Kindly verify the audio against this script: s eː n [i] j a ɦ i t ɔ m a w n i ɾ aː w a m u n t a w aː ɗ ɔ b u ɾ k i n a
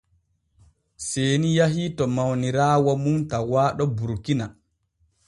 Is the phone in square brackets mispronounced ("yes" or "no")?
no